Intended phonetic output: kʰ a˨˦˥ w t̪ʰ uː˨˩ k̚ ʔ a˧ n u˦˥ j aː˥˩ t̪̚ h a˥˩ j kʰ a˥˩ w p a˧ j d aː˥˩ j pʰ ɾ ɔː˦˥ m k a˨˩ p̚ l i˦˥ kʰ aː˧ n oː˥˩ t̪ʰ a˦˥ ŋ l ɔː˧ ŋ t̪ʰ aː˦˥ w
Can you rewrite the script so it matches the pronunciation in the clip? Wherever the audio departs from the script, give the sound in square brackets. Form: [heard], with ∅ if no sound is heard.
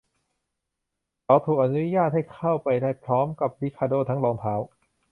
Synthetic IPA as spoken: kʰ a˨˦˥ w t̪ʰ uː˨˩ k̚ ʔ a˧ n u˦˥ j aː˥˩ t̪̚ h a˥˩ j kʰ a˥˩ w p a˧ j d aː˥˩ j pʰ ɾ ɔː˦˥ m k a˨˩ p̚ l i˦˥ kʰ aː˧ [d] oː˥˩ t̪ʰ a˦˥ ŋ l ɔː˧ ŋ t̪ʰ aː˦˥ w